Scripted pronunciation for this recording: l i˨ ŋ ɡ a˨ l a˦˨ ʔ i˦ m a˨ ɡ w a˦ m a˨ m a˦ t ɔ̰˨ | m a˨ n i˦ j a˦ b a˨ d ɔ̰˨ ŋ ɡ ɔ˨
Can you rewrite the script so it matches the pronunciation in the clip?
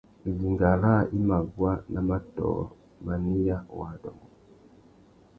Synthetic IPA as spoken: l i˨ ŋ ɡ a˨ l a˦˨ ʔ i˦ m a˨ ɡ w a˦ n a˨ m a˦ t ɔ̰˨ | m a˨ n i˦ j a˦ w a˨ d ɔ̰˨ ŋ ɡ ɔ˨